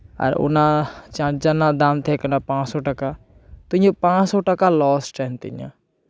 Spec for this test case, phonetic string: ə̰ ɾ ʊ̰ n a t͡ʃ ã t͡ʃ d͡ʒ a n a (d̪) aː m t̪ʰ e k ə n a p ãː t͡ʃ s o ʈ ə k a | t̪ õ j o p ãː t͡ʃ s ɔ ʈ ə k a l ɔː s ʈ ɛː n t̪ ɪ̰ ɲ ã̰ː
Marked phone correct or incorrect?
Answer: correct